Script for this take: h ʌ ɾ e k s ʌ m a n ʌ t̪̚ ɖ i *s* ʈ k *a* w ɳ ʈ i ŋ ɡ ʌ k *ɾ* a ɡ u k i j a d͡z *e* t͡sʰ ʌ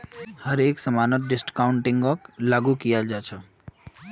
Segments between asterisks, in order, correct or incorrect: correct, correct, incorrect, incorrect

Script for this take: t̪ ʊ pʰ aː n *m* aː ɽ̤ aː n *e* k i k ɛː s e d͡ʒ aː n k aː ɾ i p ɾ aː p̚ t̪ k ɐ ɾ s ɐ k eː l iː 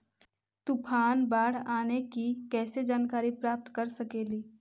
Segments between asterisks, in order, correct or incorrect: incorrect, correct

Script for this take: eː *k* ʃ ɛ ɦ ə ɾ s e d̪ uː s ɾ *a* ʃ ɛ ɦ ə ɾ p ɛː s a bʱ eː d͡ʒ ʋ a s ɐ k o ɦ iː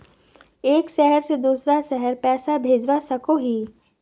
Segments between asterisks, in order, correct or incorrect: correct, correct

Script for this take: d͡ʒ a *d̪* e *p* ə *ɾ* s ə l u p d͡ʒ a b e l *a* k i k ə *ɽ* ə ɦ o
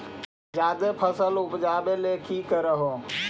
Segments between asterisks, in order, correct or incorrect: correct, incorrect, incorrect, incorrect, incorrect

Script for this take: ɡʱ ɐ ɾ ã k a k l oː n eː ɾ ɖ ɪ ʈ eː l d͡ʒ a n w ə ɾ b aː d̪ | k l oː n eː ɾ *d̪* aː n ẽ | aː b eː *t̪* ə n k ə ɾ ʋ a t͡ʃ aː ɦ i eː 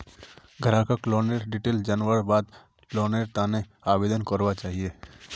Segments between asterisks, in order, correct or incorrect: incorrect, incorrect

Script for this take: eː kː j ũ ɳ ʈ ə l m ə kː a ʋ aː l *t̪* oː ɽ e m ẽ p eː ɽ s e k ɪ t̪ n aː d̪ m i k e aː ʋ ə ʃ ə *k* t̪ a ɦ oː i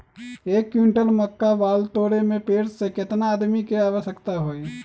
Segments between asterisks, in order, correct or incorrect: correct, correct

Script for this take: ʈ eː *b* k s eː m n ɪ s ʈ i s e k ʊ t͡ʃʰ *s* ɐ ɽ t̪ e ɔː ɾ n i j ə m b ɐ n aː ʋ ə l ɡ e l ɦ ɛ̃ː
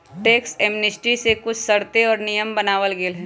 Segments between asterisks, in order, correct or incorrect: incorrect, correct

